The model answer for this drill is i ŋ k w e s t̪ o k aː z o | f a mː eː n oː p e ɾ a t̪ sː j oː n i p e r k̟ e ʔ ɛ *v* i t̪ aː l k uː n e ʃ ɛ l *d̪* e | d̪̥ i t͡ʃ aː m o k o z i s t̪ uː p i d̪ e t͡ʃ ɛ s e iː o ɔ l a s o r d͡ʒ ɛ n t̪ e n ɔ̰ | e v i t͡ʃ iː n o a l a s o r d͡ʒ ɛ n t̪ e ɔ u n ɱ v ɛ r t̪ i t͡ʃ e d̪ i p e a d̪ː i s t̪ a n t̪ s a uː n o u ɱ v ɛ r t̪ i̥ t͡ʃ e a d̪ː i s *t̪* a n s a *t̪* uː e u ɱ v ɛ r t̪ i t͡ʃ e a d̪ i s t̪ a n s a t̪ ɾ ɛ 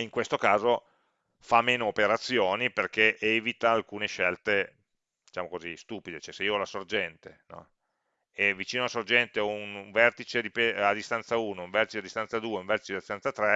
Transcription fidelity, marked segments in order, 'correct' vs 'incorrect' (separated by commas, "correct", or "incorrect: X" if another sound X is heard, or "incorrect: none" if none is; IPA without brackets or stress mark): correct, incorrect: t̪, correct, incorrect: d̪